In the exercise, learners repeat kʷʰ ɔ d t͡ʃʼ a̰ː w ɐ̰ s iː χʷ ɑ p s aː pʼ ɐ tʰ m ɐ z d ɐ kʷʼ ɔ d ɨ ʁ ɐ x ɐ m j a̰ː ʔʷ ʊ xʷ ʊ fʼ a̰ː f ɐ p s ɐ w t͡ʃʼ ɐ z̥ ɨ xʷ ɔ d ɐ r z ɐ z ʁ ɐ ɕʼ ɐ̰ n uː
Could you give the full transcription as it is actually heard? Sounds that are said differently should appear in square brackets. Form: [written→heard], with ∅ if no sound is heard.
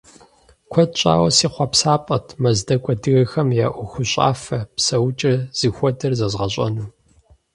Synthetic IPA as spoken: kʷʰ ɔ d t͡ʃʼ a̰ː w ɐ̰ s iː χʷ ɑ p s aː pʼ ɐ tʰ m ɐ z d ɐ kʷʼ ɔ d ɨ [ʁ→ɣ] ɐ x ɐ m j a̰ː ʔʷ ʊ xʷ ʊ [fʼ→ɕʼ] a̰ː f ɐ p s ɐ w t͡ʃʼ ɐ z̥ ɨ xʷ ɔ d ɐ r z ɐ z ʁ ɐ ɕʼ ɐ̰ n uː